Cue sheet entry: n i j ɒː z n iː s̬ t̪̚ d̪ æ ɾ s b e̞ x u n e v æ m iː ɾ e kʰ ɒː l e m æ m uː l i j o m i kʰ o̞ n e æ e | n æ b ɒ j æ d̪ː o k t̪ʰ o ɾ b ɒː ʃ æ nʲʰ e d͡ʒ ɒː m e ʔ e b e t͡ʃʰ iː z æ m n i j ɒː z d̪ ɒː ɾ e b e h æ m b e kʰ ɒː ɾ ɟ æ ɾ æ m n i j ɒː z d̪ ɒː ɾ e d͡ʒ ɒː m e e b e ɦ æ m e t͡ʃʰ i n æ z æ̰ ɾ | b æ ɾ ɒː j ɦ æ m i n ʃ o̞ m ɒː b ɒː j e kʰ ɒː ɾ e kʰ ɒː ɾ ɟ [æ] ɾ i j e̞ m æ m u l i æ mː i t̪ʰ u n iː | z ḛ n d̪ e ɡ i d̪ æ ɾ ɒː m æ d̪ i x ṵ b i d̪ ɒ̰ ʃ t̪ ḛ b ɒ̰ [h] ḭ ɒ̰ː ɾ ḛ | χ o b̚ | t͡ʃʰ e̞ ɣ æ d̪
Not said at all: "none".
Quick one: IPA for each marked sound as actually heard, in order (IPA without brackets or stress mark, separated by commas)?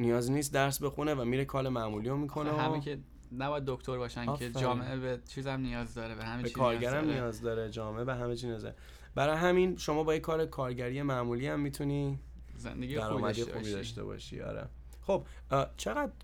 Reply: æ, ʃ